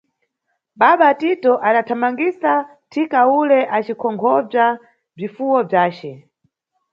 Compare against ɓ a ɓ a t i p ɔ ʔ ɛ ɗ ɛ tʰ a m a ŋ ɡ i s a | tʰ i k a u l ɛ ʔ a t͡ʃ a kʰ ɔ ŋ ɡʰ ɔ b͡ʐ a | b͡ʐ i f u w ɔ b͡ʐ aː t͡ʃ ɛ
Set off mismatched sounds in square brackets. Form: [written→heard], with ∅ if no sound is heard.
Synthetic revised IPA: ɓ a ɓ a t i [p→t] ɔ ʔ [ɛ→a] ɗ [ɛ→a] tʰ a m a ŋ ɡ i s a | tʰ i k a u l ɛ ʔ a t͡ʃ [a→i] kʰ ɔ ŋ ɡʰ ɔ b͡ʐ a | b͡ʐ i f u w ɔ b͡ʐ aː t͡ʃ ɛ